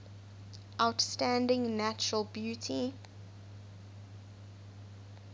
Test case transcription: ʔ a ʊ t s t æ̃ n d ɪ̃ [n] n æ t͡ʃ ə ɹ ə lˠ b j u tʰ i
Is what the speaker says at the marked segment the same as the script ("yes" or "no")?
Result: no